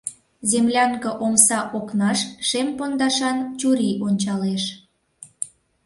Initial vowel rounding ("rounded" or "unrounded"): unrounded